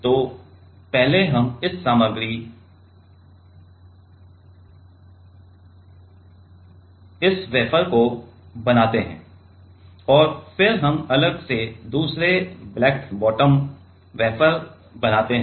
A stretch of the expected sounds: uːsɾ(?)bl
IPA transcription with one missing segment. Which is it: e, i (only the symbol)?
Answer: e